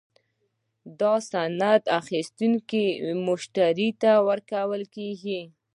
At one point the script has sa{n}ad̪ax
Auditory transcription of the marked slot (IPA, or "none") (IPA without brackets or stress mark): n